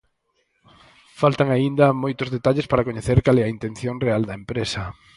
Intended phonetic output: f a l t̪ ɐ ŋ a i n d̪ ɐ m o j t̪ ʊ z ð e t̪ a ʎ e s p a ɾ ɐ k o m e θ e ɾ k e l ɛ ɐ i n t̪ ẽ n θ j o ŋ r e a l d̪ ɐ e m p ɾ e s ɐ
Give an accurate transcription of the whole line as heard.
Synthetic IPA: f a l t̪ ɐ ŋ a i n d̪ ɐ m o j t̪ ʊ z ð e t̪ a ʎ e s p a ɾ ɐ k o ɲ e θ e ɾ k a l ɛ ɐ i n t̪ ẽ n θ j o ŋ r e a l d̪ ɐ e m p ɾ e s ɐ

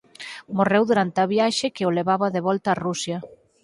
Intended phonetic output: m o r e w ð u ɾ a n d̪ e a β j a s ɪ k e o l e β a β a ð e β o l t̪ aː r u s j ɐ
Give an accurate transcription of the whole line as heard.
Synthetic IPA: m o r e w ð u ɾ a n t̪ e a β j a ʃ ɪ k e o l e β a β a ð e β ɔ l t̪ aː r u s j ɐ

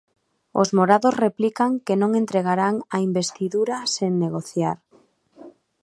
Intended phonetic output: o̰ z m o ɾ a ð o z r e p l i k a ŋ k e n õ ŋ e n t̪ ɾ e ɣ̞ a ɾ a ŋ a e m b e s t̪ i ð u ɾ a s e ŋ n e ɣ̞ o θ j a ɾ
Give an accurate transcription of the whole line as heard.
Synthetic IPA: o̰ z m o ɾ a ð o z r e p l i k a ŋ k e n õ ŋ e n t̪ ɾ e ɣ̞ a ɾ a ŋ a i m b e s t̪ i ð u ɾ a s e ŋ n e ɣ̞ o θ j a ɾ

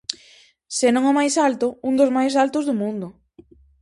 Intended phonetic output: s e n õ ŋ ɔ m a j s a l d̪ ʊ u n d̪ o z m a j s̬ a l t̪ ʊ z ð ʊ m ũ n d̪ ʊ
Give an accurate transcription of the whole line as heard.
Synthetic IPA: s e n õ ŋ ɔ m a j s a l t̪ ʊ u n d̪ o z m a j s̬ a l t̪ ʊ z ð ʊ m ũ n d̪ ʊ

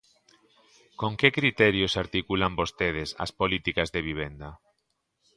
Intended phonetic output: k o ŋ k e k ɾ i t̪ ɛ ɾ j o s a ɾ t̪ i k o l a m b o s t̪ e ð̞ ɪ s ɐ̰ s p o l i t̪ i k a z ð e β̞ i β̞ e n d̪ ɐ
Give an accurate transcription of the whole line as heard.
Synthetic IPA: k o ŋ k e k ɾ i t̪ ɛ ɾ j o s a ɾ t̪ i k u l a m b o s t̪ e ð̞ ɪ s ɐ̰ s p o l i t̪ i k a z ð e β̞ i β̞ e n d̪ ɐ

